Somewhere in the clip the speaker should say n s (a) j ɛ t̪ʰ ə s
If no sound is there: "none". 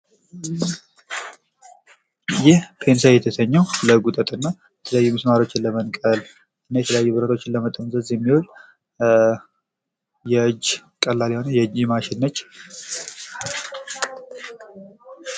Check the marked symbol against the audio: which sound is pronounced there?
a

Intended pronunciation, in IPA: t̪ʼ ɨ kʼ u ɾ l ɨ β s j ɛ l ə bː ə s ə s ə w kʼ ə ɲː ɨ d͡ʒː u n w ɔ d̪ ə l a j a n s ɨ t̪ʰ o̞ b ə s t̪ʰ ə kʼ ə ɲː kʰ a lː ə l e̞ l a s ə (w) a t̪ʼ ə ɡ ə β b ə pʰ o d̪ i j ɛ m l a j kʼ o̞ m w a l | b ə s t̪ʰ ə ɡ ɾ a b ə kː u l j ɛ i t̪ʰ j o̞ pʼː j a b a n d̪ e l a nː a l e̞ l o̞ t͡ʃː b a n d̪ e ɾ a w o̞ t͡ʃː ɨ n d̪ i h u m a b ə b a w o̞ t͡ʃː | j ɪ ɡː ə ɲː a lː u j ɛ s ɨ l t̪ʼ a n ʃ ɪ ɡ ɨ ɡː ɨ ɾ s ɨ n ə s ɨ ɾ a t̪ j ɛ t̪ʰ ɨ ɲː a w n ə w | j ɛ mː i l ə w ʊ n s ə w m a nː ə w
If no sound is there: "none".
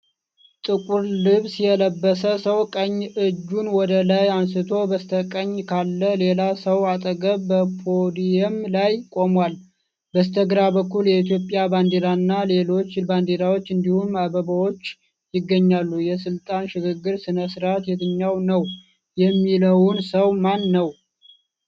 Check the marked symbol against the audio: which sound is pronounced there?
w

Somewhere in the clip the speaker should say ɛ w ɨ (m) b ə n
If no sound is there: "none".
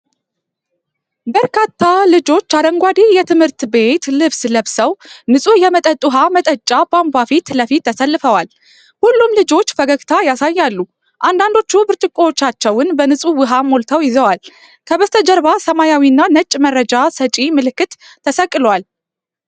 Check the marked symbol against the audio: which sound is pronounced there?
n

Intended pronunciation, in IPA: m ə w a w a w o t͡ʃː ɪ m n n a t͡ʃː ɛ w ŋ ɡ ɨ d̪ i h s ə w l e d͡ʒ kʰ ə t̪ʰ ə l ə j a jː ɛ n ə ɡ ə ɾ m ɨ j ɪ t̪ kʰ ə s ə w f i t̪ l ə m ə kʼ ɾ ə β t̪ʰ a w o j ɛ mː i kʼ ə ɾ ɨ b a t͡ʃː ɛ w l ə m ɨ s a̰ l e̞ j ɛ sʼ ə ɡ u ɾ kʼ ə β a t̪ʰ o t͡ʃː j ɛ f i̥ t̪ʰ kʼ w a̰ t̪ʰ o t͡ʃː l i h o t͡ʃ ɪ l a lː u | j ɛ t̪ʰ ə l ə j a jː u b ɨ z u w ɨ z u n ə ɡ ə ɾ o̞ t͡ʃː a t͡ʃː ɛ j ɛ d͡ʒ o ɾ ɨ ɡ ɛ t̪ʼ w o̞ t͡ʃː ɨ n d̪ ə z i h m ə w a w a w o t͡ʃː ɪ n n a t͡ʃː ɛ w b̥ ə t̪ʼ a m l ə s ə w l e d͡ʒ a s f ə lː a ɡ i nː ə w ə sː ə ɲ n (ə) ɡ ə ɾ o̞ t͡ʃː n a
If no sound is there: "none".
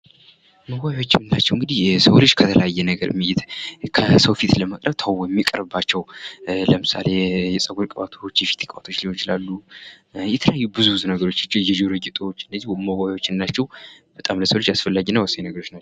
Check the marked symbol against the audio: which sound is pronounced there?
ə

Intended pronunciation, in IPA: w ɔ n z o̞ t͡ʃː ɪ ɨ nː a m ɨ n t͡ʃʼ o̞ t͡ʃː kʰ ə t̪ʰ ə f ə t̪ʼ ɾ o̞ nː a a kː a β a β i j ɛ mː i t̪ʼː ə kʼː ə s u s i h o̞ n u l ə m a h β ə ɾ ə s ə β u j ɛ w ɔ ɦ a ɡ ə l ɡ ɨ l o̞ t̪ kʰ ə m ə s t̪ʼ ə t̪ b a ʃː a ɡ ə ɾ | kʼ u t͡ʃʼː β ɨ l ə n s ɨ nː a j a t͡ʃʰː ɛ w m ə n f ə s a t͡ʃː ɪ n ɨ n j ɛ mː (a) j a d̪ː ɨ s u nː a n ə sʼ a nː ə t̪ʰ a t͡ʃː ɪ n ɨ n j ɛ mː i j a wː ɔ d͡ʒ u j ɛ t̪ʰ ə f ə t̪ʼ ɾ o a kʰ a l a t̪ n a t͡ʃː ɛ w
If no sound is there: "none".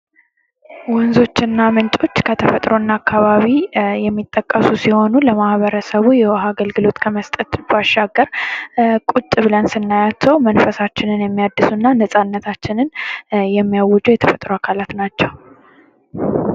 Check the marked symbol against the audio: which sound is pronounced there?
i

